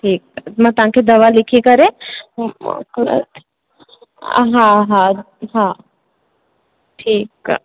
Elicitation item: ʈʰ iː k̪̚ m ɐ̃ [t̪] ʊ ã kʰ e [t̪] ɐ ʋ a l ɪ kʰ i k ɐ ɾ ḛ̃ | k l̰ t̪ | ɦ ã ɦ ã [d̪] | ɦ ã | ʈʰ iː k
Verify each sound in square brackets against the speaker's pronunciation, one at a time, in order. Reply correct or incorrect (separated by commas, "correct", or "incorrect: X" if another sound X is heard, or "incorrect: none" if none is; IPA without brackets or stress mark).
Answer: correct, incorrect: d̪, incorrect: none